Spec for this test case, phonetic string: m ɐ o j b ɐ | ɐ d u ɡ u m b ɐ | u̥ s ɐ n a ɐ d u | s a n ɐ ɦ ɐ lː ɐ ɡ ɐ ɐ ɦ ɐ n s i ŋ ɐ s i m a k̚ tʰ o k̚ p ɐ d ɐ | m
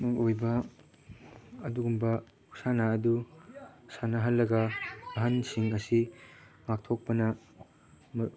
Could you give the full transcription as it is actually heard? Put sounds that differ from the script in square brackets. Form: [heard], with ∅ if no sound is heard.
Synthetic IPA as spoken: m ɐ o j b ɐ | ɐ d u ɡ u m b ɐ | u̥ s [a] n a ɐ d u | s a n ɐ ɦ ɐ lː ɐ ɡ ɐ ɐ ɦ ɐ n s i ŋ ɐ s i m a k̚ tʰ o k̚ p ɐ [n] ɐ | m